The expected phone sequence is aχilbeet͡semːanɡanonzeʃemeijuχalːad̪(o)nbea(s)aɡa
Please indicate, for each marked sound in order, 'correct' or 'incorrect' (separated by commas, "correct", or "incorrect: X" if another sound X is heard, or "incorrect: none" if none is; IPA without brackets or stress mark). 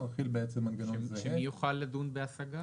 incorrect: u, correct